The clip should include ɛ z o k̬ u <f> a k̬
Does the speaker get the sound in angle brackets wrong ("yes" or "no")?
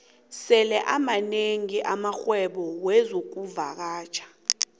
yes